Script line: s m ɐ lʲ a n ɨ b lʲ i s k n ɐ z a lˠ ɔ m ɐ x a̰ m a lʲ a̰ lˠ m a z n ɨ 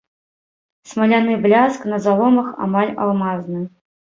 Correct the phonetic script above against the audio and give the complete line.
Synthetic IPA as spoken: s m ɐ lʲ a n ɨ b lʲ a s k n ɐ z a lˠ ɔ m ɐ x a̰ m a lʲ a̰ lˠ m a z n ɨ